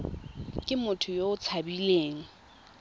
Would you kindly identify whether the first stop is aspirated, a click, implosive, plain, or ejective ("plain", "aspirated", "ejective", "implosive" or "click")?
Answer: ejective